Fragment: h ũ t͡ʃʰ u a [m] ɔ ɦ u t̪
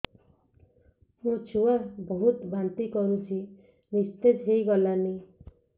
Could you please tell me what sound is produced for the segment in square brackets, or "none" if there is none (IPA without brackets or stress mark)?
b